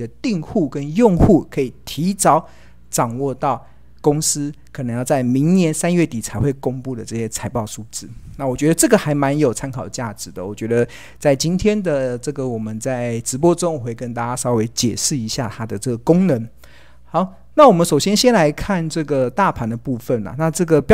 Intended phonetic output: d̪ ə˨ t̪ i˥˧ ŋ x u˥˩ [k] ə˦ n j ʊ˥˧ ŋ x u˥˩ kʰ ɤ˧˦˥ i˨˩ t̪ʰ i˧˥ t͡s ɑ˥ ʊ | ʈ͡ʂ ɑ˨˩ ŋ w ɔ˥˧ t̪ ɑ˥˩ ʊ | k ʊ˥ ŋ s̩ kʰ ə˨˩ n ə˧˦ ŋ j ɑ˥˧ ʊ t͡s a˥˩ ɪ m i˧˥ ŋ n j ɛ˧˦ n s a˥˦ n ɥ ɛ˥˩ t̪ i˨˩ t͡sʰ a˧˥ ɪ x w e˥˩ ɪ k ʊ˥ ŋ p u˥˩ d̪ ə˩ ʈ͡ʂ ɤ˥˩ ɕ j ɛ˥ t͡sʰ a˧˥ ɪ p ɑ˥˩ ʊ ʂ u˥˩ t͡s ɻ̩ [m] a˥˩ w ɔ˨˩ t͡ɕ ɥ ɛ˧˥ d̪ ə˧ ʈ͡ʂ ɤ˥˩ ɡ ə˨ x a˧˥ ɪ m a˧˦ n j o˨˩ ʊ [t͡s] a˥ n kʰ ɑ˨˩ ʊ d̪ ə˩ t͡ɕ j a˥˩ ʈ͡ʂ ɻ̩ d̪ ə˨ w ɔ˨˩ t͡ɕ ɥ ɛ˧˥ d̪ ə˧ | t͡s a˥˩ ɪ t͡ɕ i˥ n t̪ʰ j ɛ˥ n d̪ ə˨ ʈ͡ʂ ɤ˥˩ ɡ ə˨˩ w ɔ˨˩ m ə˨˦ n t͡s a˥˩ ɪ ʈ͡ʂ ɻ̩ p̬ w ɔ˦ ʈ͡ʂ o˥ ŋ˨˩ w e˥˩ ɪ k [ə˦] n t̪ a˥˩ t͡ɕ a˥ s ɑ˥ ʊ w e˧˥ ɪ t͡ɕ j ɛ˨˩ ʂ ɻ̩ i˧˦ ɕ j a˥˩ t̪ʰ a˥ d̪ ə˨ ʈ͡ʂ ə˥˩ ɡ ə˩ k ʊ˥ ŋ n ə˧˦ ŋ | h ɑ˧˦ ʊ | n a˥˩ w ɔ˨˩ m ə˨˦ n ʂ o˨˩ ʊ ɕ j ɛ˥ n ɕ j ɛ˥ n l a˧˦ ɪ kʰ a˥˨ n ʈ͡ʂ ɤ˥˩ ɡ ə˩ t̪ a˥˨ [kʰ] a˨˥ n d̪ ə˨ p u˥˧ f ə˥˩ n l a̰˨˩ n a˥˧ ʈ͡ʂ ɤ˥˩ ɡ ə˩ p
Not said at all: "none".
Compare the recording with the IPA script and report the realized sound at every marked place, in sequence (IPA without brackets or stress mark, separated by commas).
k, n, t͡sʰ, ə˦, pʰ